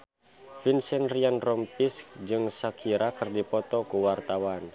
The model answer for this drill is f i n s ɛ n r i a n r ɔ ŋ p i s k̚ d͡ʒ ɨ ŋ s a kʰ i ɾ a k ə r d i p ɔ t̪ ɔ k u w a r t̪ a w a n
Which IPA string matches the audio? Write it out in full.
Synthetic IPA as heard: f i n s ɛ n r i a n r ɔ m p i s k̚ d͡ʒ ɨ ŋ s a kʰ i ɾ a k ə r d i p ɔ t̪ ɔ k u w a r t̪ a w a n